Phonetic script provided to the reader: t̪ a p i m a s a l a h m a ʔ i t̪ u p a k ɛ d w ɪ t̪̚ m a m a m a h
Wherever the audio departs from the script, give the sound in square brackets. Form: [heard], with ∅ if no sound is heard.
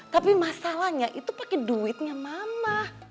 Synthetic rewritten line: t̪ a p i m a s a l a h [ɲ] a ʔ i t̪ u p a k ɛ d [u] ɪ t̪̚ [ɲ] a m a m a h